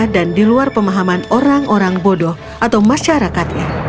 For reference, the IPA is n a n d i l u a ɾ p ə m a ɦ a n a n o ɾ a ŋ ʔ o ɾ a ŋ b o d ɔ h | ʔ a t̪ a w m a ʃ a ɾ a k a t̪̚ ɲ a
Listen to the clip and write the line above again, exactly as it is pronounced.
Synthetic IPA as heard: d a n d i l u a r p ə m a ɦ a m a n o ɾ a ŋ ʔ o ɾ a ŋ b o d ɔ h | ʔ a t̪ a w m a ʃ a ɾ a k a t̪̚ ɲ a